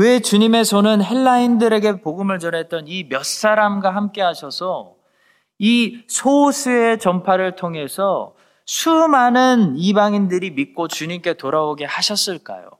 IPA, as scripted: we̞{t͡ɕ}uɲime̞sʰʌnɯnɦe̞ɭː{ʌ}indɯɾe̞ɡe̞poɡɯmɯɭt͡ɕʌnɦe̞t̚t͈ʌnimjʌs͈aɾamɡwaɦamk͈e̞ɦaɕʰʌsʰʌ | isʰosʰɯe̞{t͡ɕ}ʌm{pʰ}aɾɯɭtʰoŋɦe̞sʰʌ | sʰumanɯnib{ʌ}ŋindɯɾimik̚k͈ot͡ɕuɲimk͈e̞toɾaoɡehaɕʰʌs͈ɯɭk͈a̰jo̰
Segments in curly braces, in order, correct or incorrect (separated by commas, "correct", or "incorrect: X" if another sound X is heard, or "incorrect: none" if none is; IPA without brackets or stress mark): correct, incorrect: a, correct, correct, incorrect: a